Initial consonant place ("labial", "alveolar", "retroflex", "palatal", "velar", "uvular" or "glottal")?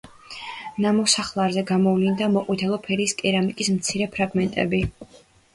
alveolar